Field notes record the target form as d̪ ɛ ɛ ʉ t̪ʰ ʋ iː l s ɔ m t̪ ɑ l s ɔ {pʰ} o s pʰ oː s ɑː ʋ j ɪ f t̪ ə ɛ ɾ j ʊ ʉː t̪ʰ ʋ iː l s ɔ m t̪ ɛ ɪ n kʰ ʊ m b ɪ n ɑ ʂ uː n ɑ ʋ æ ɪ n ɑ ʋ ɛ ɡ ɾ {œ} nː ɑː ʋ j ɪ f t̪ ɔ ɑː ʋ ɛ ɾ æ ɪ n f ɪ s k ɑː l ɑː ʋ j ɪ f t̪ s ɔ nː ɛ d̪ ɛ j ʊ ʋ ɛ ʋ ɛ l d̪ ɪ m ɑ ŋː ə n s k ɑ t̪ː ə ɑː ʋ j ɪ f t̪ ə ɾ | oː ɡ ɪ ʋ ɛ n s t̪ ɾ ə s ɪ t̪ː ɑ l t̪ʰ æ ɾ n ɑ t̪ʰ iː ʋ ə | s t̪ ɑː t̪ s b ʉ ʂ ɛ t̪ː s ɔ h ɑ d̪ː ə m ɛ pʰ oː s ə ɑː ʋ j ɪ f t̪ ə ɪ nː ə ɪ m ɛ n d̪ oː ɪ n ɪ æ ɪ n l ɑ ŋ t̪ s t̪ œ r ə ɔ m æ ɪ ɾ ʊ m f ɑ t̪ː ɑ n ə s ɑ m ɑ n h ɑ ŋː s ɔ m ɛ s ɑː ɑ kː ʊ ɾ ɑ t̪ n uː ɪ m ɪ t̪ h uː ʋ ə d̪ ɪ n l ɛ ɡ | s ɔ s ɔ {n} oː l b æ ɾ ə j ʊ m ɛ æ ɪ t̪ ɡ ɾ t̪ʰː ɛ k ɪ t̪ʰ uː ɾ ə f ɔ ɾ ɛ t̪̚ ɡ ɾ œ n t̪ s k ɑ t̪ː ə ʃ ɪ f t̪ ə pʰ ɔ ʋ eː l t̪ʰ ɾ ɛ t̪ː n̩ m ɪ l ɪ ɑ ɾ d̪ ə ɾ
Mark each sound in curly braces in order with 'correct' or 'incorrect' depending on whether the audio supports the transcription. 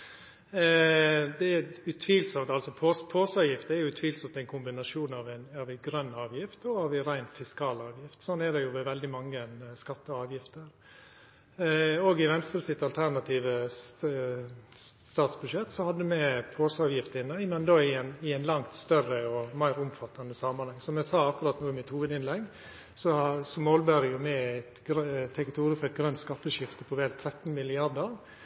correct, correct, incorrect

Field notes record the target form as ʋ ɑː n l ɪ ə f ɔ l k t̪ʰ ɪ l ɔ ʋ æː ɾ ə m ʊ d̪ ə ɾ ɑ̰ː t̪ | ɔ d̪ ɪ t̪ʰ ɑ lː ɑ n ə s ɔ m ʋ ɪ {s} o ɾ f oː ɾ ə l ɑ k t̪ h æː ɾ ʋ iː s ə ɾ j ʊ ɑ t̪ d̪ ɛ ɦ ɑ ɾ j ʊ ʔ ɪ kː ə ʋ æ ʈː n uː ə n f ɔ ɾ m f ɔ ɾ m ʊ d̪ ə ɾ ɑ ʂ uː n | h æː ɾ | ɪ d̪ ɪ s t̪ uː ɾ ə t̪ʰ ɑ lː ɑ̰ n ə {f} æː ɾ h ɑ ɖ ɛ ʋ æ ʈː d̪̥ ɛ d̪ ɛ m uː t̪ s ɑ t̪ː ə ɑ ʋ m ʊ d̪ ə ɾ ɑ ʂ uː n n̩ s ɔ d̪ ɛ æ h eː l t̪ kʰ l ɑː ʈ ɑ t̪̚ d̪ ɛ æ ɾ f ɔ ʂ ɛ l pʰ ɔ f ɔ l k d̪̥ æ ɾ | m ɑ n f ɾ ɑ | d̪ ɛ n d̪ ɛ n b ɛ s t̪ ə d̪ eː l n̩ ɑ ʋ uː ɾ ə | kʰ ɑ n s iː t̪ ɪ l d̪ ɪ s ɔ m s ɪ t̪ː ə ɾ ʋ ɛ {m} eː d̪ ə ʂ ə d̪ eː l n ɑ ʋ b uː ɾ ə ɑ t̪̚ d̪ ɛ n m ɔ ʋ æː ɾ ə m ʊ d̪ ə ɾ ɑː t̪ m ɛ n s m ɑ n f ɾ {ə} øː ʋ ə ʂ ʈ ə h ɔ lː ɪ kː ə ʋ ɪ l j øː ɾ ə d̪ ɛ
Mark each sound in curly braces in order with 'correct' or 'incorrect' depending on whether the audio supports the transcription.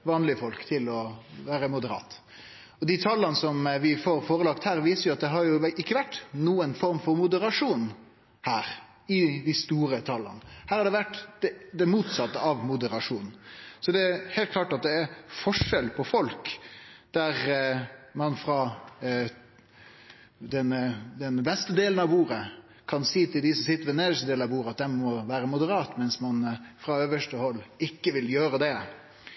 incorrect, incorrect, incorrect, incorrect

